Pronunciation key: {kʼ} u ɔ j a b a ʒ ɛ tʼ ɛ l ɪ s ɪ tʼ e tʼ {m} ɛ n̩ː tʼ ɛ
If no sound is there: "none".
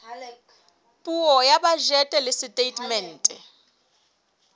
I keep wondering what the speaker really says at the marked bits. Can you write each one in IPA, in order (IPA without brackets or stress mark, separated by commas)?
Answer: pʼ, m